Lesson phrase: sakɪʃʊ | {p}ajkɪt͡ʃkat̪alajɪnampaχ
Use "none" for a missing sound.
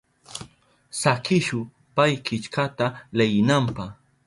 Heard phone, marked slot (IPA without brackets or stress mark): p